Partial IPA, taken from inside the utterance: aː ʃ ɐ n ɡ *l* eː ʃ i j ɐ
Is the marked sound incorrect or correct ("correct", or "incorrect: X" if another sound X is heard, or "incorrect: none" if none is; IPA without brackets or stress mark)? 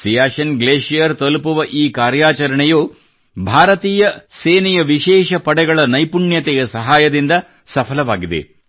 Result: correct